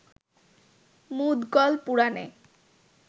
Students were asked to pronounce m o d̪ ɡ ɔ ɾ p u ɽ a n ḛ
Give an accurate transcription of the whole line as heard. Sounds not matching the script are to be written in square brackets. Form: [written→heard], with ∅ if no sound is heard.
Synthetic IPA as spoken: m [o→u] d̪ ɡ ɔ [ɾ→l] p u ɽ a n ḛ